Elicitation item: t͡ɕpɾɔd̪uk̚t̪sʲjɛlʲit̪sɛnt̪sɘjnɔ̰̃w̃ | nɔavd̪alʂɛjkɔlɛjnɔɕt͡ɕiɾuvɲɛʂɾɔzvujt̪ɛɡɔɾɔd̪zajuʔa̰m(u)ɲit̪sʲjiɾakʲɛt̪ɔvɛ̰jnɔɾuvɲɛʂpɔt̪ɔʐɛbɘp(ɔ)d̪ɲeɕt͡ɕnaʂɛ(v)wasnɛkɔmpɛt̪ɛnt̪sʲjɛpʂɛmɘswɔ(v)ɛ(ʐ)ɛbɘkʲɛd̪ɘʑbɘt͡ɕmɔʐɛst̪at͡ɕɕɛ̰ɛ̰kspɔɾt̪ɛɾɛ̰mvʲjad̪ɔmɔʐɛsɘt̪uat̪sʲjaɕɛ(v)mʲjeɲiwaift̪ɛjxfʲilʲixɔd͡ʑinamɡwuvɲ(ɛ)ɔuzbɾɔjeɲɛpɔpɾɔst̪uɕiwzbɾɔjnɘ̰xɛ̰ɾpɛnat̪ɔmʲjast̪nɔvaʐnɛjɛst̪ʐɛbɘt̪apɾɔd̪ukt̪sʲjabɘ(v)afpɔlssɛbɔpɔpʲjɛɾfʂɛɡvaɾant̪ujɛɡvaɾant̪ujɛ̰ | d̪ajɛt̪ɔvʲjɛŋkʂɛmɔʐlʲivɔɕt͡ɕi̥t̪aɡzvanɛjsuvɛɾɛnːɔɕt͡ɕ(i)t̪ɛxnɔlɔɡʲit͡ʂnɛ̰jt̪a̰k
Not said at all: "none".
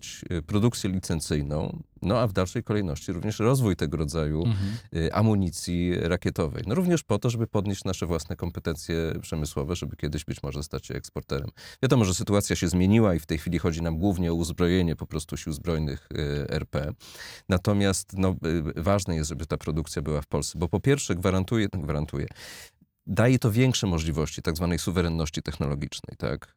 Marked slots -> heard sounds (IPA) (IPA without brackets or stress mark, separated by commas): u, ɔ, v, v, ʐ, z, ɛ, w, i